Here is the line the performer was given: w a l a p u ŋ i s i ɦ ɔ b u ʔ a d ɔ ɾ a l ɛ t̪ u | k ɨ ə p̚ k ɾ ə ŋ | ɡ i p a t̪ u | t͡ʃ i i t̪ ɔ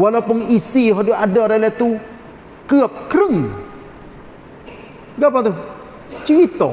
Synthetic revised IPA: w a l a p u ŋ i s i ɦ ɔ d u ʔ a d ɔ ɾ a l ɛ t̪ u | k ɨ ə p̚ k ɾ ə ŋ | ɡ a p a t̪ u | t͡ʃ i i t̪ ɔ

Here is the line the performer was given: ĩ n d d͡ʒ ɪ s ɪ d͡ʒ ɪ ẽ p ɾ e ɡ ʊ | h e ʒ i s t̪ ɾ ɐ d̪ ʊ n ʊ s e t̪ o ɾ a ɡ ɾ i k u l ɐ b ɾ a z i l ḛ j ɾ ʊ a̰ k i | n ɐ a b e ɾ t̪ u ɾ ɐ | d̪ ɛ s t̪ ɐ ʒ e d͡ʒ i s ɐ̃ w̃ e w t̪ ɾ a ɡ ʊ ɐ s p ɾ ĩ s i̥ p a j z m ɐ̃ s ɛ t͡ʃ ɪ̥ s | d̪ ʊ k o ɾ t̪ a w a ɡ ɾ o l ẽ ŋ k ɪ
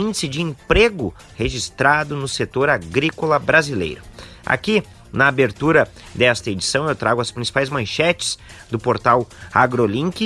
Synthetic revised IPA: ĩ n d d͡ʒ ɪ s ɪ d͡ʒ ɪ ẽ p ɾ e ɡ ʊ | h e ʒ i s t̪ ɾ a d̪ ʊ n ʊ s e t̪ o ɾ a ɡ ɾ i k o l ɐ b ɾ a z i l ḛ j ɾ ʊ a̰ k i | n ɐ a b e ɾ t̪ u ɾ ɐ | d̪ ɛ s t̪ ɐ e d͡ʒ i s ɐ̃ w̃ e w t̪ ɾ a ɡ ʊ ɐ s p ɾ ĩ s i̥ p a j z m ɐ̃ ʃ ɛ t͡ʃ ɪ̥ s | d̪ ʊ p o ɾ t̪ a w a ɡ ɾ o l ĩ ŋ k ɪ

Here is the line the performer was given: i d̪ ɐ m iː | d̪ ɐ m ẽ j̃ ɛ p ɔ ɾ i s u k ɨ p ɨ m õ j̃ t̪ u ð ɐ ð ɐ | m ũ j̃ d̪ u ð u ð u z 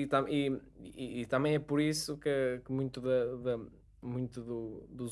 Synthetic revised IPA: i t̪ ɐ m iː | t̪ ɐ m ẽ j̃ ɛ p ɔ ɾ i s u k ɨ k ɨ m ũ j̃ t̪ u ð ɐ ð ɐ | m ũ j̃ t̪ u ð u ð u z

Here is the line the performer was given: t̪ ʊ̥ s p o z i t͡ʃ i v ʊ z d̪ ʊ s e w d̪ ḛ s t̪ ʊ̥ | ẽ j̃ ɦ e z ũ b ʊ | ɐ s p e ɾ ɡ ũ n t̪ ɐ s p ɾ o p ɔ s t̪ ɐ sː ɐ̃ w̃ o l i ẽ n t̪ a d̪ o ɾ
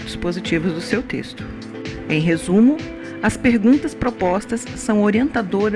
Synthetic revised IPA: t̪ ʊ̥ s p o z i t͡ʃ i v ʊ z d̪ ʊ s e w t̪ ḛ s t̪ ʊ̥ | ẽ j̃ ɦ e z ũ m ʊ | ɐ s p e ɾ ɡ ũ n t̪ ɐ s p ɾ o p ɔ s t̪ ɐ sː ɐ̃ w̃ o ɾ i ẽ n t̪ a d̪ o ɾ

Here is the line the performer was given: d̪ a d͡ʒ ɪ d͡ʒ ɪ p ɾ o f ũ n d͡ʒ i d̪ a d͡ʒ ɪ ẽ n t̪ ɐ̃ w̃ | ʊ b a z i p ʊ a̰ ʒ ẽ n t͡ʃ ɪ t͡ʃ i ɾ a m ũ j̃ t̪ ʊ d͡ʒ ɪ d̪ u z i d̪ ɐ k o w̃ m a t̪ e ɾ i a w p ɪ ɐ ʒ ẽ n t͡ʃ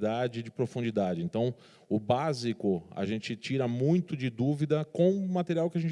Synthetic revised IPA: d̪ a d͡ʒ ɪ d͡ʒ ɪ p ɾ o f ũ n d͡ʒ i d̪ a d͡ʒ ɪ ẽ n t̪ ɐ̃ w̃ | ʊ b a z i k ʊ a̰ ʒ ẽ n t͡ʃ ɪ t͡ʃ i ɾ ɐ m ũ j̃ t̪ ʊ d͡ʒ ɪ d̪ u v i d̪ ɐ k õ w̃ m a t̪ e ɾ i a w k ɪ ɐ ʒ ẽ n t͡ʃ

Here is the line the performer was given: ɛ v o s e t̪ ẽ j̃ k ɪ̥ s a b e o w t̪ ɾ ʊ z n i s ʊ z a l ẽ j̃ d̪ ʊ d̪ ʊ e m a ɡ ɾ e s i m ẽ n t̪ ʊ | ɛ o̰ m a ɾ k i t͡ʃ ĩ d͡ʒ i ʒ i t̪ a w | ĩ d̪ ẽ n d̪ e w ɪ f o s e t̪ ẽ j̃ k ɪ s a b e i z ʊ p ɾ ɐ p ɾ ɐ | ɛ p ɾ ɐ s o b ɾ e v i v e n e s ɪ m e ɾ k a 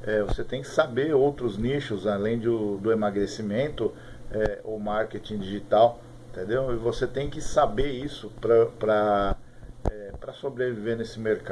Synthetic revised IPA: ɛ v o s e t̪ ẽ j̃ k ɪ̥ s a b e o w t̪ ɾ ʊ z n i ʃ ʊ z a l ẽ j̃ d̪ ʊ d̪ ʊ e m a ɡ ɾ e s i m ẽ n t̪ ʊ | ɛ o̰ m a ɾ k e t͡ʃ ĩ d͡ʒ i ʒ i t̪ a w | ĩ t̪ ẽ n d̪ e w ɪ v o s e t̪ ẽ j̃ k ɪ s a b e i s ʊ p ɾ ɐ p ɾ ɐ | ɛ p ɾ ɐ s o b ɾ e v i v e n e s ɪ m e ɾ k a

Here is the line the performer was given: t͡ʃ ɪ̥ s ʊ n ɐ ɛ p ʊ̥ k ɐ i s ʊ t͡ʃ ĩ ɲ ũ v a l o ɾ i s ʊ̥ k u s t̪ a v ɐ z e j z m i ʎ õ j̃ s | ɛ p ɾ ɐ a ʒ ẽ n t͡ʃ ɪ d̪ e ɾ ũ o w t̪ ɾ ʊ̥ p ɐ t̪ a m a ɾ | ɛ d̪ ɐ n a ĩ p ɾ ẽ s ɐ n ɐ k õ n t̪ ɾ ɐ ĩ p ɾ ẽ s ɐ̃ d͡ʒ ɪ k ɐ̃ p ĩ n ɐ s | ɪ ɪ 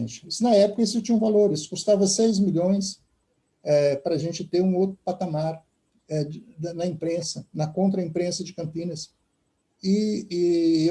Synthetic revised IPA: t͡ʃ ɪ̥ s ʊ n ɐ ɛ p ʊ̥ k ɐ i s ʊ t͡ʃ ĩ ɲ ũ v a l o ɾ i s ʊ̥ k u s t̪ a v ɐ s e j z m i ʎ õ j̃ s | ɛ p ɾ ɐ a ʒ ẽ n t͡ʃ ɪ t̪ e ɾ ũ o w t̪ ɾ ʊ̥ p a t̪ a m a ɾ | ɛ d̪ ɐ n ɐ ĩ p ɾ ẽ s ɐ n ɐ k õ n t̪ ɾ ɐ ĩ p ɾ ẽ s ɐ d͡ʒ ɪ k ɐ̃ p ĩ n ɐ s | ɪ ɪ

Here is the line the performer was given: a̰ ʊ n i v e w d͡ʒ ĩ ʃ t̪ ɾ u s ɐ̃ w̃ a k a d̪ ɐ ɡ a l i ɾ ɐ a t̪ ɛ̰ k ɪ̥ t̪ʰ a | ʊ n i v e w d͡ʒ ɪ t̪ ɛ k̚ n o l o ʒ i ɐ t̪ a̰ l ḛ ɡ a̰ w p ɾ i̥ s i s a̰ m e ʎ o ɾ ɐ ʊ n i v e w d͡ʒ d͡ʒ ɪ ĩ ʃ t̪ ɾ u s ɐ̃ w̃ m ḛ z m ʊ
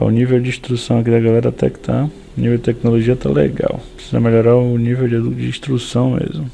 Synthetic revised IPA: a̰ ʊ n i v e w d͡ʒ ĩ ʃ t̪ ɾ u s ɐ̃ w̃ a k i d̪ ɐ ɡ a l ɛ ɾ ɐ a t̪ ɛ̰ k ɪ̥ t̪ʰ a | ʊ n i v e w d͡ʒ ɪ t̪ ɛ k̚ n o l o ʒ i ɐ t̪ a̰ l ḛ ɡ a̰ w p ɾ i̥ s i z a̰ m e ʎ o ɾ a ʊ n i v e w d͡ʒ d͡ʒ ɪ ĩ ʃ t̪ ɾ u s ɐ̃ w̃ m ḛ z m ʊ

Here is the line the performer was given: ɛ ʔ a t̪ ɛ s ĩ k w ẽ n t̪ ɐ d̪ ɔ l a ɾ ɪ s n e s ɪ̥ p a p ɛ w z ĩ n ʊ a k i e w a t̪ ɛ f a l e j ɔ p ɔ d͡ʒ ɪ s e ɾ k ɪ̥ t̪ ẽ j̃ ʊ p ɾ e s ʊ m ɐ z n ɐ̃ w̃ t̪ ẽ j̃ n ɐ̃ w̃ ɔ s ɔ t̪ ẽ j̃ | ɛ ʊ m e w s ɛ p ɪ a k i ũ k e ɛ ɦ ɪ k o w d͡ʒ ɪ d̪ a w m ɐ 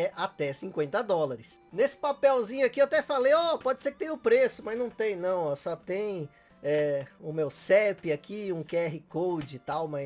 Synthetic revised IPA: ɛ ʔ a t̪ ɛ s ĩ k w ẽ n t̪ ɐ d̪ ɔ l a ɾ ɪ s n e s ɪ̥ p a p ɛ w z ĩ ɲ ʊ a k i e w a t̪ ɛ f a l e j ɔ p ɔ d͡ʒ ɪ s e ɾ k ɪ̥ t̪ ẽ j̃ ʊ p ɾ e s ʊ m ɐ z n ɐ̃ w̃ t̪ ẽ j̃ n ɐ̃ w̃ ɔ s ɔ t̪ ẽ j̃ | ɛ ʊ m e w s ɛ p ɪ a k i ũ k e ɛ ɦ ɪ k o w d͡ʒ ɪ t̪ a w m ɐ

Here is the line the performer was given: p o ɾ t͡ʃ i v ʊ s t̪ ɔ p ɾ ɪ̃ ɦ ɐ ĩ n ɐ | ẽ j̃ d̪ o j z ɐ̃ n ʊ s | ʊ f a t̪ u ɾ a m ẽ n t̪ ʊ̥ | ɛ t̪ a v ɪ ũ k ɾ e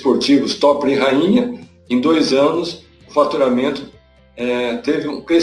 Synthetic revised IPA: p o ɾ t͡ʃ i v ʊ s t̪ ɔ p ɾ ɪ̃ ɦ a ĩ ɲ ɐ | ẽ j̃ d̪ o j z ɐ̃ n ʊ s | ʊ f a t̪ u ɾ a m ẽ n t̪ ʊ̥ | ɛ t̪ e v ɪ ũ k ɾ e

